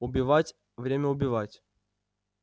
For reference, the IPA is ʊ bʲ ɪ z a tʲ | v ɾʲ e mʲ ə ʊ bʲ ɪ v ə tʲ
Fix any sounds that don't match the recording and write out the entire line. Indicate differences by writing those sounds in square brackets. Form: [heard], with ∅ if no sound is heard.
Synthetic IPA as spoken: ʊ bʲ ɪ [v] a tʲ | v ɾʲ e mʲ ə ʊ bʲ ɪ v [a] tʲ